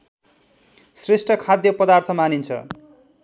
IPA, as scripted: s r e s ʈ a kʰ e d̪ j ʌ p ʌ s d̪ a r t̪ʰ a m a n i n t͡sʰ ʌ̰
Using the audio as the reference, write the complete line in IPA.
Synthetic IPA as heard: s r e s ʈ ʌ kʰ a d̪ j ʌ p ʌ d̪ a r t̪ʰ ʌ m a n i n t͡sʰ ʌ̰